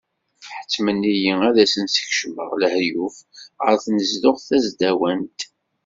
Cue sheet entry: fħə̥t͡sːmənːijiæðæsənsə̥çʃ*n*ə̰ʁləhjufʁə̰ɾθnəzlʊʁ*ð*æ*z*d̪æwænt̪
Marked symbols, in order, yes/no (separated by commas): no, no, yes